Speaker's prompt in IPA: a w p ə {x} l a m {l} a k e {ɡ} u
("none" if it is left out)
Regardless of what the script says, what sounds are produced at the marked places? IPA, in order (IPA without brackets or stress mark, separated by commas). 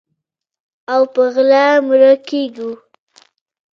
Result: ɣ, ɾ, ɡ